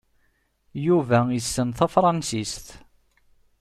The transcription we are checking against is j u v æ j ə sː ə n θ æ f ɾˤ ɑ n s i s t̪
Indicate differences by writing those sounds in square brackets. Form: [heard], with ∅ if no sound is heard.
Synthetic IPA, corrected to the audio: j u v æ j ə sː ə n θ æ f ɾˤ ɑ n s i s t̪